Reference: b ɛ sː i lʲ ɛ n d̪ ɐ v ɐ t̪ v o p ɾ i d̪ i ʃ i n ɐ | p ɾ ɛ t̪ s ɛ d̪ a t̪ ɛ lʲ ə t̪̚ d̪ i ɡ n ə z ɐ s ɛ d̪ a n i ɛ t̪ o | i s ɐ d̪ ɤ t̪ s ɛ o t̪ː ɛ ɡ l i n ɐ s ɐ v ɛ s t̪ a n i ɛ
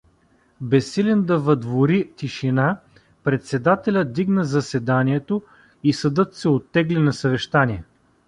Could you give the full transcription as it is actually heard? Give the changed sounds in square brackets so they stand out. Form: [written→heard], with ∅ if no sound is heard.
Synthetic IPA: b ɛ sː i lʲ ɛ n d̪ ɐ v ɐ [t̪→d̪] v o [p→∅] ɾ i [d̪→t̪] i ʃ i n [ɐ→a] | p ɾ ɛ t̪ s ɛ d̪ a t̪ ɛ lʲ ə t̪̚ d̪ i ɡ n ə z ɐ s ɛ d̪ a n i ɛ t̪ o | i s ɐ d̪ ɤ t̪ s ɛ o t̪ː ɛ ɡ l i n ɐ s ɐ v ɛ [s→ʃ] t̪ a n i ɛ